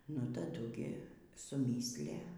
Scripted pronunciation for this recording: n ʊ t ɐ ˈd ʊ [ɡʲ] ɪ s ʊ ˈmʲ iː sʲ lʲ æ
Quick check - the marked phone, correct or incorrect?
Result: correct